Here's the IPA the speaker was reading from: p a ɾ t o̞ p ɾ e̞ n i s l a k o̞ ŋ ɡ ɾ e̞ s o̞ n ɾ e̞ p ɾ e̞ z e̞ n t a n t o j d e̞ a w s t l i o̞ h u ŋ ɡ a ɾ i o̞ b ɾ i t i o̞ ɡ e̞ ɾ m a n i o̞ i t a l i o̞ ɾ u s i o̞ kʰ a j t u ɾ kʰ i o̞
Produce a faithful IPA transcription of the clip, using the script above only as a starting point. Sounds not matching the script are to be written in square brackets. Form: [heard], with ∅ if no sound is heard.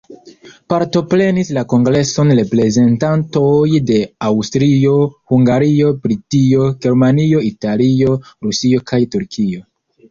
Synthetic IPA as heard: p a ɾ t o̞ p ɾ e̞ n i s l a k o̞ ŋ ɡ ɾ e̞ s o̞ n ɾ e̞ p ɾ e̞ z e̞ n t a n t o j d e̞ a w s t [ɾ] i o̞ h u ŋ ɡ a ɾ i o̞ b ɾ i t i o̞ ɡ e̞ ɾ m a n i o̞ i t a l i o̞ ɾ u s i o̞ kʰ a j t u ɾ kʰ i o̞